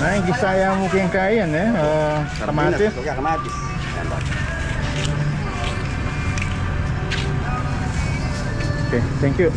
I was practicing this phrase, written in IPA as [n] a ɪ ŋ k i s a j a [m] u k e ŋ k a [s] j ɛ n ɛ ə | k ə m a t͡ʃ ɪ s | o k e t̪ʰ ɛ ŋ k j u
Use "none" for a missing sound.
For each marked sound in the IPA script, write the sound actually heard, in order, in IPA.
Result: n, m, none

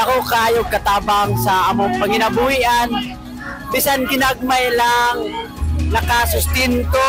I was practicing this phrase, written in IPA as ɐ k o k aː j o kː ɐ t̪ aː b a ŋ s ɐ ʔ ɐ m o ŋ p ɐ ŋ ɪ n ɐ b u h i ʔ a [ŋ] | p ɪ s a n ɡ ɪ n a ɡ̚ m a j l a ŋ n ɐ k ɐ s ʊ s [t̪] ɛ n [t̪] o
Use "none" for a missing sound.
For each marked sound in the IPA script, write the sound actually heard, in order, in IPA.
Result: n, t̪, t̪

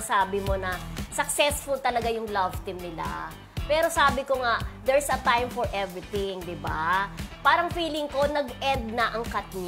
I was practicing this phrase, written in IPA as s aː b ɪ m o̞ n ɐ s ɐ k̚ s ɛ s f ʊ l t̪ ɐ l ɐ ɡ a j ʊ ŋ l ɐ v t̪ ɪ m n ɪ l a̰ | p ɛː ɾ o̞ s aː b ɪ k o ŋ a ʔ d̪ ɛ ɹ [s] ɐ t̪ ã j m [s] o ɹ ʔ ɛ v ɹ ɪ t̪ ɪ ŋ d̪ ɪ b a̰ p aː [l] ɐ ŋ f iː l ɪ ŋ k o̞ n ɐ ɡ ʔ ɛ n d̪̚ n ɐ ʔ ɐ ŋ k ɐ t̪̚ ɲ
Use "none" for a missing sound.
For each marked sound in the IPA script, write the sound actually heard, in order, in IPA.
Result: s, f, ɾ

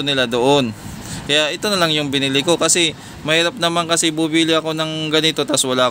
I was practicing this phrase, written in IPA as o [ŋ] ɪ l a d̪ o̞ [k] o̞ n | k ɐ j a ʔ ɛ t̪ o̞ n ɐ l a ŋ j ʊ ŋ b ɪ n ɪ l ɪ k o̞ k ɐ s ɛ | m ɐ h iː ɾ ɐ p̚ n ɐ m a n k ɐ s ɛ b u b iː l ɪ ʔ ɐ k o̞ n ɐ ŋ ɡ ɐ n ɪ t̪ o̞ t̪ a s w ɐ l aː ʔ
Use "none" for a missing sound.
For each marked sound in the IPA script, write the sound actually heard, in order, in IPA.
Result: n, ʔ

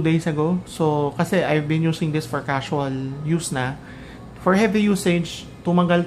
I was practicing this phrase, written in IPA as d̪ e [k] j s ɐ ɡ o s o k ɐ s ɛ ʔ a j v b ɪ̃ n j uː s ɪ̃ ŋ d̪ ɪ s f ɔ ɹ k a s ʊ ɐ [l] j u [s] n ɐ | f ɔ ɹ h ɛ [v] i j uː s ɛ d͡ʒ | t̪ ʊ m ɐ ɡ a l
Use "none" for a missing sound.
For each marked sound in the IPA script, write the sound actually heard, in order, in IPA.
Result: none, l, s, v

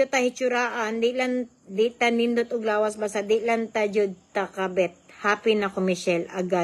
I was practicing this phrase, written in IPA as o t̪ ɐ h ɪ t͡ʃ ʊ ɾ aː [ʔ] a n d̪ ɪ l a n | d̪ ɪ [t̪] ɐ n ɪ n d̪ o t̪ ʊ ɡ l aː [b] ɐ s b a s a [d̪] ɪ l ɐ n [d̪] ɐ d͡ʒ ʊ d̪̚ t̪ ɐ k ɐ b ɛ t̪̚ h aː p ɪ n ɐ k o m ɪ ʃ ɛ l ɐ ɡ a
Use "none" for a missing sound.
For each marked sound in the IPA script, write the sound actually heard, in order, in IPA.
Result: ʔ, t̪, w, d̪, t̪

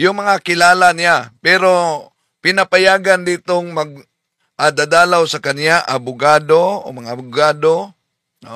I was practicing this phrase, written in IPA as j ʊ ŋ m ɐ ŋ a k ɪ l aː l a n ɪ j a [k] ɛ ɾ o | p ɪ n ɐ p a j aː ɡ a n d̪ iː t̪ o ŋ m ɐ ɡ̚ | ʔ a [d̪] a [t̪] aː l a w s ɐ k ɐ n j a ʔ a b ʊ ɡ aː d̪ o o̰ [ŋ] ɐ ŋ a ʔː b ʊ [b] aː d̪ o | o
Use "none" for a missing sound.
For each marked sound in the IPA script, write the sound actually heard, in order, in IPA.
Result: p, d̪, d̪, m, ɡ

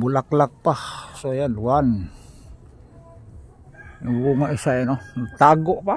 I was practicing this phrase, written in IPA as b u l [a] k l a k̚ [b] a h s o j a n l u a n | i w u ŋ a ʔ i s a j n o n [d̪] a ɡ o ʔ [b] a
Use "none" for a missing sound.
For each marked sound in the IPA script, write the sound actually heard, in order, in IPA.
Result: a, p, t̪, p

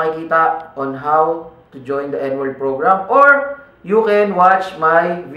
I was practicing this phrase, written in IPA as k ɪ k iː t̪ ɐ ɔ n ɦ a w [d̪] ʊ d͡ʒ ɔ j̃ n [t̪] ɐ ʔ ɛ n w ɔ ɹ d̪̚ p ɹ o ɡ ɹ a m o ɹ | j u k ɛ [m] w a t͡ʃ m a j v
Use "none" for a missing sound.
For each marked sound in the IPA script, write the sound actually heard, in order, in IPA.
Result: t̪, d̪, n

